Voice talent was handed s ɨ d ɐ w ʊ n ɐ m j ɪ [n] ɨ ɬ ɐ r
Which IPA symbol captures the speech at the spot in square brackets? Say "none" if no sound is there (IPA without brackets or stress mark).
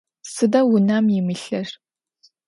m